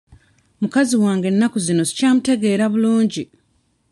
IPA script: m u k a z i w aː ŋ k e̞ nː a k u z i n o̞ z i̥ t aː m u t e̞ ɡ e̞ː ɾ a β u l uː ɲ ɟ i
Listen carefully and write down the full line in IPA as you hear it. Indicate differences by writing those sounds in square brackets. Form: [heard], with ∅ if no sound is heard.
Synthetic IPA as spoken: m u k a z i w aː ŋ [ɡ] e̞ nː a k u z i n o̞ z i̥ [c] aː m u t e̞ ɡ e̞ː ɾ a β u l uː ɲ ɟ i